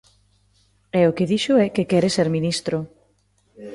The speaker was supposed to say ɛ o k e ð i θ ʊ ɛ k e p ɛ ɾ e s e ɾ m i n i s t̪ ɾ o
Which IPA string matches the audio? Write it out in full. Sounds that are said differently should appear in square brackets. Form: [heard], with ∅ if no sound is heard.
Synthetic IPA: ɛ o k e ð i [ʃ] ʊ ɛ k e [k] ɛ ɾ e s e ɾ m i n i s t̪ ɾ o

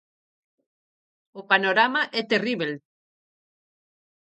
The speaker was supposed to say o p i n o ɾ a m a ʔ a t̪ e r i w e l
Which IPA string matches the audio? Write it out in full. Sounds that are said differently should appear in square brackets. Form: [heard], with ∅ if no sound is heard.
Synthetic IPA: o p [a] n o ɾ a m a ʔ [ɛ] t̪ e r i [β] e l

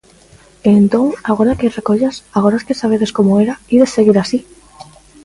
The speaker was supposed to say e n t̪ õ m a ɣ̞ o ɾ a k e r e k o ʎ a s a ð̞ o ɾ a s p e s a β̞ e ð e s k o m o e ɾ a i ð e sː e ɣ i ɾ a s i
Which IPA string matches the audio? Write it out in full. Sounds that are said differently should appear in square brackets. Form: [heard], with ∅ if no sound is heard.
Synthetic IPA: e n t̪ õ [ŋ] a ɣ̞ o ɾ a k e r e k o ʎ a s a [ɣ̞] o ɾ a s [k] e s a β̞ e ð e s k o m o e ɾ a i ð e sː e ɣ i ɾ a s i

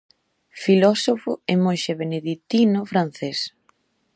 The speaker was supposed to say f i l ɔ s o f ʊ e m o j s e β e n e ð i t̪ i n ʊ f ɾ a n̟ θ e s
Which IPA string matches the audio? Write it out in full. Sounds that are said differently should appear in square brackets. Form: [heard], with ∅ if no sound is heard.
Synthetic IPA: f i l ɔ s o f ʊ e m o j [ʃ] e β e n e ð i t̪ i n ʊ f ɾ a n̟ θ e s

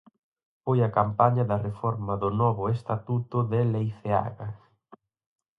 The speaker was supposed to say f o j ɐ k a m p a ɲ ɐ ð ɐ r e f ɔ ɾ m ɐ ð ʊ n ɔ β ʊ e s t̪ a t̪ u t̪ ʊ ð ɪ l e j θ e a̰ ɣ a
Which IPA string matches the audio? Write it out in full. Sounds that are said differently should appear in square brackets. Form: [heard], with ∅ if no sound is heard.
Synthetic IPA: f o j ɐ k a m p a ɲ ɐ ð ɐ r e f ɔ ɾ m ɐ ð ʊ n ɔ β ʊ e s t̪ a t̪ u t̪ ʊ ð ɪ l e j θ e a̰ ɣ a

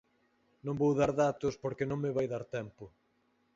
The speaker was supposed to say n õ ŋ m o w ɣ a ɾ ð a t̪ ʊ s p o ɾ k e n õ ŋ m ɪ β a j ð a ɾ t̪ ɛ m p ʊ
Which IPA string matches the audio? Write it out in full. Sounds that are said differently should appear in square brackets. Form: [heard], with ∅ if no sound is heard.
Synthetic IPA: n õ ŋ [b] o w [ð] a ɾ ð a t̪ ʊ s p o ɾ k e n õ ŋ m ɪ β a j ð a ɾ t̪ ɛ m p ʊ

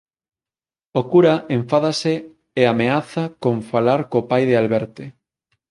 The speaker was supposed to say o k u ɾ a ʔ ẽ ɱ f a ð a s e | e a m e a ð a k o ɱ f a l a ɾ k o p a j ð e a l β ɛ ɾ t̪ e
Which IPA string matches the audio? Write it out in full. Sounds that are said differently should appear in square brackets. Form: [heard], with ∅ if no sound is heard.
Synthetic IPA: o k u ɾ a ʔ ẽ ɱ f a ð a s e | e a m e a [θ] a k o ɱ f a l a ɾ k o p a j ð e a l β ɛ ɾ t̪ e

